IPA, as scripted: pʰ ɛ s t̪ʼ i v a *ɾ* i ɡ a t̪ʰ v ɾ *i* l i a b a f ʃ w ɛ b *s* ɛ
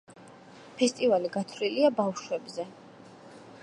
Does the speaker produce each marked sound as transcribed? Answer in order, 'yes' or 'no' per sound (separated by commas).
no, yes, no